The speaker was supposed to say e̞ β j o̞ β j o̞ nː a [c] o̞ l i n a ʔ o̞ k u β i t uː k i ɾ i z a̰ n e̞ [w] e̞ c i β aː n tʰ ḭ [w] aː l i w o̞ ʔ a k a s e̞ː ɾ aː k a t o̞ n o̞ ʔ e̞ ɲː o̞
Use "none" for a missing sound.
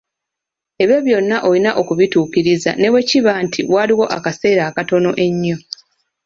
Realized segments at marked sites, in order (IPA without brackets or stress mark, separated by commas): ʔ, w, w